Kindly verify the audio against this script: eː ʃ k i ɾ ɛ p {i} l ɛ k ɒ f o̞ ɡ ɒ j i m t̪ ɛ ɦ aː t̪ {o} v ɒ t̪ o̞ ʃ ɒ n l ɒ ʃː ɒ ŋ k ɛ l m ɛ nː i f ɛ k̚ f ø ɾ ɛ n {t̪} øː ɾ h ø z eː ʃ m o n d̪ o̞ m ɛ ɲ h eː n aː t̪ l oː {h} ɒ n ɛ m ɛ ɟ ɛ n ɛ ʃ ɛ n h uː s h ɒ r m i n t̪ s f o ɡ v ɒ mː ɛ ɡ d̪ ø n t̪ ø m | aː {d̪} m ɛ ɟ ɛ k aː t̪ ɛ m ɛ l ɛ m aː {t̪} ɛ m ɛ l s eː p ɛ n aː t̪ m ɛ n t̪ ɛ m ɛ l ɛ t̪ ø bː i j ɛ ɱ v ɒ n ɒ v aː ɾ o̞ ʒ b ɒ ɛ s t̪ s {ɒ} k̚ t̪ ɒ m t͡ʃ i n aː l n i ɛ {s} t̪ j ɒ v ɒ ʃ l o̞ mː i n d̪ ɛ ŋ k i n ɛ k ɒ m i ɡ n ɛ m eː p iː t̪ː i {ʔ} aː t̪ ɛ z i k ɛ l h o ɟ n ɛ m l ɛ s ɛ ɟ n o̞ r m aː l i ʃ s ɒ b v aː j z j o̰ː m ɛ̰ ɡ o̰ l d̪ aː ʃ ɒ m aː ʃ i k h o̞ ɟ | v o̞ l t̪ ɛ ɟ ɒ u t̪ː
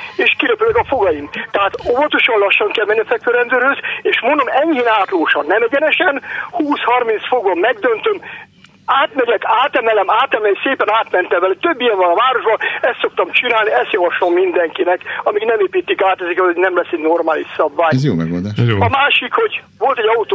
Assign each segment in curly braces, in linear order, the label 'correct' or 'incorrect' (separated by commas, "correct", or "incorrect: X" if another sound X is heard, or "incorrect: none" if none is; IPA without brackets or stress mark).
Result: incorrect: y, correct, incorrect: d̪, incorrect: ʃ, incorrect: t̪, correct, incorrect: o, correct, incorrect: k